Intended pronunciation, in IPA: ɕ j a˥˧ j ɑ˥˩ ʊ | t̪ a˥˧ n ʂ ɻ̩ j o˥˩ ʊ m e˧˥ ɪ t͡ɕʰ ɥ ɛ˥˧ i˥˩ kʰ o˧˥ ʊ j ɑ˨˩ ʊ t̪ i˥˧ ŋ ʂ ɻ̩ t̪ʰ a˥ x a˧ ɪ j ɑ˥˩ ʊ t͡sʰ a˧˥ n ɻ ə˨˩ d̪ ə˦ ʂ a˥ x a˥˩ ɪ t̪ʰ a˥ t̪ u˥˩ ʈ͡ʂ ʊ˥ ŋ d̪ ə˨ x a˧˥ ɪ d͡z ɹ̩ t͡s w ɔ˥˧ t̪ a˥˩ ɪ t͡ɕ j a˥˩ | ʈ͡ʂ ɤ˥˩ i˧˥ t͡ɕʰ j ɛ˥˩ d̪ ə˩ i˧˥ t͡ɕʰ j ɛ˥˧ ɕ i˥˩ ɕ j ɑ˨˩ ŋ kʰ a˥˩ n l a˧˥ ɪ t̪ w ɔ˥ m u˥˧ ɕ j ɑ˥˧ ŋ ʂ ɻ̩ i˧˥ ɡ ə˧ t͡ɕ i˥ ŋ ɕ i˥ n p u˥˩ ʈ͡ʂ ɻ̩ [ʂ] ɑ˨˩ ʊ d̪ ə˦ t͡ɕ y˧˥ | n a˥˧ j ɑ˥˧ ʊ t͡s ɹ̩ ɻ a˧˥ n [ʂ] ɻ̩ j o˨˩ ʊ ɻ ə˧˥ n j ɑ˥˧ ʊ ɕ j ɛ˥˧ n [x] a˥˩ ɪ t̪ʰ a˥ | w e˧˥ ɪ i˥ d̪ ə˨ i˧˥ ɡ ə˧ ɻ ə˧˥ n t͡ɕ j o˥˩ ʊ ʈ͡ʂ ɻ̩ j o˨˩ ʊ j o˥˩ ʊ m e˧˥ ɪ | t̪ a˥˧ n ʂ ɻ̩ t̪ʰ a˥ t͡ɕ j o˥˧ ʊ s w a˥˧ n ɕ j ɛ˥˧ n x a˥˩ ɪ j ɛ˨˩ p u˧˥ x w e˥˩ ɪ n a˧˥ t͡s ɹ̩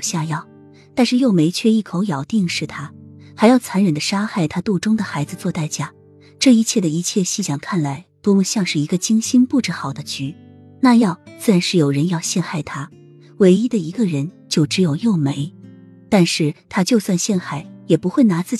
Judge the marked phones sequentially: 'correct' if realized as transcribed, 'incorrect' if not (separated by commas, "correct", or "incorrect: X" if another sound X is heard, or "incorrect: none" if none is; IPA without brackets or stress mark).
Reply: incorrect: x, correct, correct